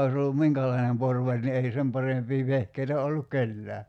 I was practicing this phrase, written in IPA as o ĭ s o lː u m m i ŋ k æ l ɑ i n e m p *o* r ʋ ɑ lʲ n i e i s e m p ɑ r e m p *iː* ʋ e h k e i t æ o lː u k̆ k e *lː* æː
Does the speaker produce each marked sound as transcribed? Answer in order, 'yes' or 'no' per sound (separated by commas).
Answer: yes, yes, yes